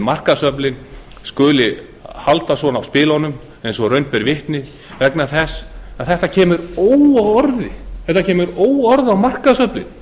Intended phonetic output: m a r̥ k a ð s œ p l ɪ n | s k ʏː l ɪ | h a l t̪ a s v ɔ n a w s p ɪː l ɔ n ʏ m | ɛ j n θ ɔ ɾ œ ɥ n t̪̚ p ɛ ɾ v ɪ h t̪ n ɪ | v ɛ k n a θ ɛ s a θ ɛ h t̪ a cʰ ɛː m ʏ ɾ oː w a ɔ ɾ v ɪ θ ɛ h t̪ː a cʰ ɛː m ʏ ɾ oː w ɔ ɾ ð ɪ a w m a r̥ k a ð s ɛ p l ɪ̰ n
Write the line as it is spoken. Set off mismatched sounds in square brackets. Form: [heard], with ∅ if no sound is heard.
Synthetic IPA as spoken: m a r̥ k a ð s œ p l ɪ n | s k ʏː l ɪ | h a l t̪ a s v ɔ n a w s p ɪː l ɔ n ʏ m | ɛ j n [s] ɔ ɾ œ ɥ n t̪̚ p ɛ ɾ v ɪ h t̪ n ɪ | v ɛ k n a θ ɛ s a θ ɛ h t̪ a cʰ ɛː m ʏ ɾ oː w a ɔ ɾ [ð] ɪ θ ɛ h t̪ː a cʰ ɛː m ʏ ɾ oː w ɔ ɾ ð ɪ a w m a r̥ k a ð s [œ] p l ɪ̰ n